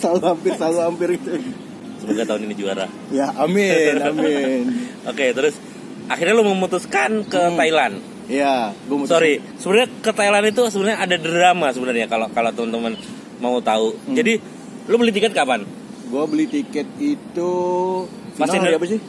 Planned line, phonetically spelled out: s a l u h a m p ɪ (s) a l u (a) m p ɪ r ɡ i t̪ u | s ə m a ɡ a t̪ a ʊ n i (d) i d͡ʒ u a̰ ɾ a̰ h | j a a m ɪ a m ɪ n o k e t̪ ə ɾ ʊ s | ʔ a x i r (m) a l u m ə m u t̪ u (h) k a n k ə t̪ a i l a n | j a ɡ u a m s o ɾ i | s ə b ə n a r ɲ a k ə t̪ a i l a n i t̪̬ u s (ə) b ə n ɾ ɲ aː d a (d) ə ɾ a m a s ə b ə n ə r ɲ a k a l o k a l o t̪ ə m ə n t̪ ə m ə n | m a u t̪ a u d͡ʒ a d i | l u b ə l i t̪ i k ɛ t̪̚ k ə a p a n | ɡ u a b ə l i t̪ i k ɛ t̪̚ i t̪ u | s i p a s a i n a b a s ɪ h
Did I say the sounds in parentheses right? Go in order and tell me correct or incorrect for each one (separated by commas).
correct, correct, incorrect, incorrect, incorrect, correct, correct